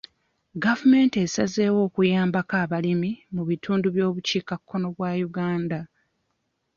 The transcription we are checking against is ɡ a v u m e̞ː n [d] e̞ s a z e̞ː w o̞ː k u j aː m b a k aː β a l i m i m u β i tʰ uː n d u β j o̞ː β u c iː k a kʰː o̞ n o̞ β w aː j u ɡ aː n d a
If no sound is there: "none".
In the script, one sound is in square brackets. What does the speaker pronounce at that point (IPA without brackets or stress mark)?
t